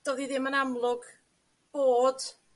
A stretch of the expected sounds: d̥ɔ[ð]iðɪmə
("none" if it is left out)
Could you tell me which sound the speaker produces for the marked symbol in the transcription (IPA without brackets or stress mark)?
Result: ð